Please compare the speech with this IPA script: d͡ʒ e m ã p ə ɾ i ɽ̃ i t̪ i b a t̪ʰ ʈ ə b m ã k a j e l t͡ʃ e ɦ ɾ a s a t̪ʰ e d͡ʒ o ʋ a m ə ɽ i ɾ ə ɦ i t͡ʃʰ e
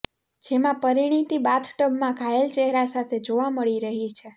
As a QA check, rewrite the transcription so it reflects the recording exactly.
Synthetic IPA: d͡ʒ e m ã p ə ɾ i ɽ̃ i t̪ i b a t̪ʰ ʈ ə b m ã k a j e l t͡ʃ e ɦ ɾ a s a t̪ʰ e d͡ʒ o ʋ a m ə ɭ i ɾ ə ɦ i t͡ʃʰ e